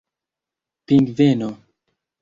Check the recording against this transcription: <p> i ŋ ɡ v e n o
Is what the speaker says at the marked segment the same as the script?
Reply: yes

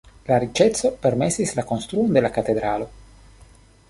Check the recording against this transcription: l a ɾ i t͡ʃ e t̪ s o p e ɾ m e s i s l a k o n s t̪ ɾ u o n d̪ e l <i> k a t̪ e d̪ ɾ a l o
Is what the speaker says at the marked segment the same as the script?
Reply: no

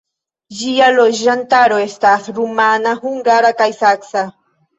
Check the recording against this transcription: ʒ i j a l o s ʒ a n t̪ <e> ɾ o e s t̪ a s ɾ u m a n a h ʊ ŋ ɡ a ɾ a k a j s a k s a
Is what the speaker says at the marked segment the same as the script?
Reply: no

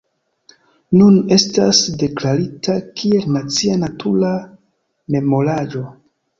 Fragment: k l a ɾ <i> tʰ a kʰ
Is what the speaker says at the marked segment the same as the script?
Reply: yes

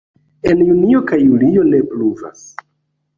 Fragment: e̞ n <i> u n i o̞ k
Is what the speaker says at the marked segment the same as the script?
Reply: no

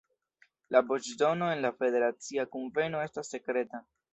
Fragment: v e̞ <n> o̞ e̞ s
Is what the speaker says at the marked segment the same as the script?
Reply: yes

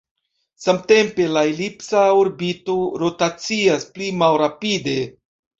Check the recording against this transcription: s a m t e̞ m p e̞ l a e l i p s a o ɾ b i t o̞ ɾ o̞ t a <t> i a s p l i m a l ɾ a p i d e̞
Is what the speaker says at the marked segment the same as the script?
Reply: no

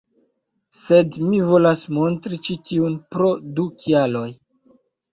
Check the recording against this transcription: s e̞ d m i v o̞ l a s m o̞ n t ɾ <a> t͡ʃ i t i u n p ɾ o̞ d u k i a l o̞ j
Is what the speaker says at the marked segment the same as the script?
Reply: no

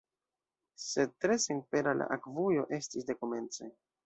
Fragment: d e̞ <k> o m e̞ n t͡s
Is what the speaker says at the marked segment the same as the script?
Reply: yes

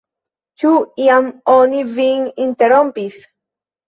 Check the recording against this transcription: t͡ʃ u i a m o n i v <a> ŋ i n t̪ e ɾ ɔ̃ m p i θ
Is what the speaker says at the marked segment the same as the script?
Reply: no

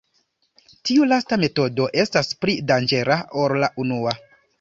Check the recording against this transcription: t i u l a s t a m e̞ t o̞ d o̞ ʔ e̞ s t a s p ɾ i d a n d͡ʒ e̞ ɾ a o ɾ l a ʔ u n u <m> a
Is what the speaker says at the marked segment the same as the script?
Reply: no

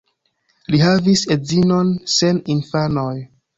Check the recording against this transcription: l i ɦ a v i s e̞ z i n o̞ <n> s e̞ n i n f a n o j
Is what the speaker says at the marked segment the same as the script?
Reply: yes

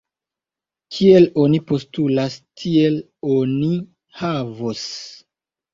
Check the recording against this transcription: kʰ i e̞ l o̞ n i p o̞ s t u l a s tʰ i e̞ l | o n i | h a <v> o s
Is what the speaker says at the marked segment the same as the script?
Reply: yes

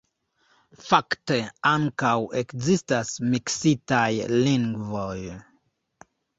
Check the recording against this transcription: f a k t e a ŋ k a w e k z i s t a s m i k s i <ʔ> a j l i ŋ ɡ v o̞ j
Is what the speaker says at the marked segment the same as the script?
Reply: no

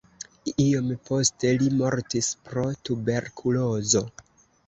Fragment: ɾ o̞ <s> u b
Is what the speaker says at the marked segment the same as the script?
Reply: no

